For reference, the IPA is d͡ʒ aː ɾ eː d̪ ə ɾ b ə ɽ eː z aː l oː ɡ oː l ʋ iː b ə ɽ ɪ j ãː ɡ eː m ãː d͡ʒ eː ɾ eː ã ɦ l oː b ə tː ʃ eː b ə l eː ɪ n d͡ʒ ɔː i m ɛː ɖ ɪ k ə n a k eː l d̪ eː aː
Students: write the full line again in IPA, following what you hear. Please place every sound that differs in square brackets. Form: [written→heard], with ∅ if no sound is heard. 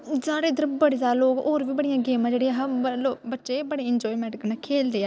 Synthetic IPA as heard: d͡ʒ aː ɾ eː d̪ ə ɾ b ə ɽ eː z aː l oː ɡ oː [l→ɾ] ʋ iː b ə ɽ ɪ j ãː ɡ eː m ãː d͡ʒ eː [ɾ→ɽ] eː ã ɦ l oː b ə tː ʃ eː b ə [l→ɽ] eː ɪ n d͡ʒ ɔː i m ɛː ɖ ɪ k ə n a [k→kʰ] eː l d̪ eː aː